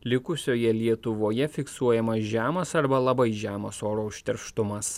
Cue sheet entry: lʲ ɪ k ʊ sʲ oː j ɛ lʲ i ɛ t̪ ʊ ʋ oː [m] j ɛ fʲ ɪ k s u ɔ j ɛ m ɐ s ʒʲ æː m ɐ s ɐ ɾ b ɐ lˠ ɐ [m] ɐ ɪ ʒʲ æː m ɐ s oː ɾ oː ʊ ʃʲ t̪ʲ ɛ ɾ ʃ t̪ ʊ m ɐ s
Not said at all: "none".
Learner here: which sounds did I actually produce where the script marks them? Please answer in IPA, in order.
none, b

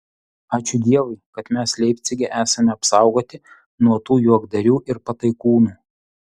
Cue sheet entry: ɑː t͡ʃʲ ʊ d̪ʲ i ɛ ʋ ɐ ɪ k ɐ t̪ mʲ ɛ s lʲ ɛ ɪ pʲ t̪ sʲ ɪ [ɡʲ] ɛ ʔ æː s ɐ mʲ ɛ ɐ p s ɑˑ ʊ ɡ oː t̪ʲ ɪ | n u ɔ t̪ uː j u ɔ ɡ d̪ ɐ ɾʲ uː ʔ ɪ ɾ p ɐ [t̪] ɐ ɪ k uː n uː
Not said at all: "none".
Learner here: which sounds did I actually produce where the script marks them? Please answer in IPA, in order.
ɡʲ, t̪

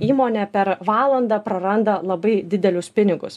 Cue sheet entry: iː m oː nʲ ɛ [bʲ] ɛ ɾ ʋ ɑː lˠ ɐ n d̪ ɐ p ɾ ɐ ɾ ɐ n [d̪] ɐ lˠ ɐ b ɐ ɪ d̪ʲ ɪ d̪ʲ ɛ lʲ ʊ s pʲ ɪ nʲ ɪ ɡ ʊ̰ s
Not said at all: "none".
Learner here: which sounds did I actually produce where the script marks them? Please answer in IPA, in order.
pʲ, d̪

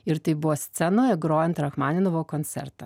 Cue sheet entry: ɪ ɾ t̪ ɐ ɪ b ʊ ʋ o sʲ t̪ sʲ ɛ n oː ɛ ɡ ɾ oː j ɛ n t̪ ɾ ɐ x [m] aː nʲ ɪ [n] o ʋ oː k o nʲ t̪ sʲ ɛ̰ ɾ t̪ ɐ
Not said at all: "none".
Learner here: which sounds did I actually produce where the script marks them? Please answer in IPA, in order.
m, n

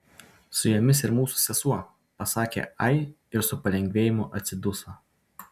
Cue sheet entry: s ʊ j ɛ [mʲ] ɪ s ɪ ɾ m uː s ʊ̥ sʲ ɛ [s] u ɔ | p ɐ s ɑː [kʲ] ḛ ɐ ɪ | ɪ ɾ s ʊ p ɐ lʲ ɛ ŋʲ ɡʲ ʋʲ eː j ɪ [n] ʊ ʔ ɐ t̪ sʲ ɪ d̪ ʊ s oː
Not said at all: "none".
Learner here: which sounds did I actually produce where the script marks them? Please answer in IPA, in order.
mʲ, s, kʲ, m

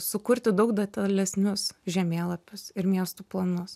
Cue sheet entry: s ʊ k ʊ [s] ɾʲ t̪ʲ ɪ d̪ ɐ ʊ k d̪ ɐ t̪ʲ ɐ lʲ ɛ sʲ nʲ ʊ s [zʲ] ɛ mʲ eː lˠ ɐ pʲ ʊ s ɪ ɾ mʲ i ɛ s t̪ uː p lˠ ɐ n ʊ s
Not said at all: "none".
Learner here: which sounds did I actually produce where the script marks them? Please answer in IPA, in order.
none, ʒʲ

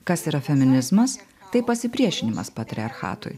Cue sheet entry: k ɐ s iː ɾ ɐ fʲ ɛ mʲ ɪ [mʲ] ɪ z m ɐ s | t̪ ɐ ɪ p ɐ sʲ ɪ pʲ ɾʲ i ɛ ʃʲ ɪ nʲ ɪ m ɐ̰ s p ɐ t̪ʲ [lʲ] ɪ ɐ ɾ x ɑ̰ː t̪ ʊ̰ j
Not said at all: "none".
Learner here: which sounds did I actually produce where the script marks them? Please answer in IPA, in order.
nʲ, ɾʲ

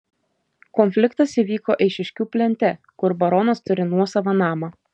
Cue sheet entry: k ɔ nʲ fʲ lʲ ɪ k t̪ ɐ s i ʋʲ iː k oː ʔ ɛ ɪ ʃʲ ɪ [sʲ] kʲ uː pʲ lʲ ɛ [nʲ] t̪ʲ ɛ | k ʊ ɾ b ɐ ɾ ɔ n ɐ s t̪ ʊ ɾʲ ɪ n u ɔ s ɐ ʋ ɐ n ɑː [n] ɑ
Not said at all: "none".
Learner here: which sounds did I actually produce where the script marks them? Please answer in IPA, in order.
ʃʲ, nʲ, m

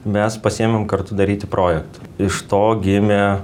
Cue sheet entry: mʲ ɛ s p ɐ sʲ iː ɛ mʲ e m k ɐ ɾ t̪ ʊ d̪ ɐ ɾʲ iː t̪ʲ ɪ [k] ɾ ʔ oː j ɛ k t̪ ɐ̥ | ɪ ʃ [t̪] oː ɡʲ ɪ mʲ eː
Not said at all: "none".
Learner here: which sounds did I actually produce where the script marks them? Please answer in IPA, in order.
p, t̪

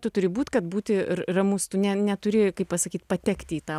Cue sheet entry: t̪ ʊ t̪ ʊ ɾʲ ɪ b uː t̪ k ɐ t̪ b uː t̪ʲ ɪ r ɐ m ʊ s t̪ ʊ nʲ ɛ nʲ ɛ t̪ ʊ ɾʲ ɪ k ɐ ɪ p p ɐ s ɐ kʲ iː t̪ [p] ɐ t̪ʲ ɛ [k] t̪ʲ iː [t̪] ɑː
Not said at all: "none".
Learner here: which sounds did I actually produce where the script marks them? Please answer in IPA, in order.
p, k, t̪

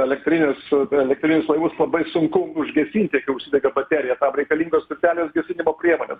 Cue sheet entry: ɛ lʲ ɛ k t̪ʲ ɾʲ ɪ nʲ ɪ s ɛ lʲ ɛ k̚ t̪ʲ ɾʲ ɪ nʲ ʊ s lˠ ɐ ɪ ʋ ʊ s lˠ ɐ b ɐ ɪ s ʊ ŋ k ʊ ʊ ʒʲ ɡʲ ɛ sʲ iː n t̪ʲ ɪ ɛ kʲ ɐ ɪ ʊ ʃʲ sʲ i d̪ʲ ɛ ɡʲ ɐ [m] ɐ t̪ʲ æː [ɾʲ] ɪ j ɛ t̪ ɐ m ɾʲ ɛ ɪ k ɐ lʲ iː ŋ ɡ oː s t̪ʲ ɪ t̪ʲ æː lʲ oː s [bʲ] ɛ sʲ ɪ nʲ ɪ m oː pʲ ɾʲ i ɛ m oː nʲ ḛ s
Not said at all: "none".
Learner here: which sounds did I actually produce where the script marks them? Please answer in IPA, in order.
b, ɾʲ, ɡʲ

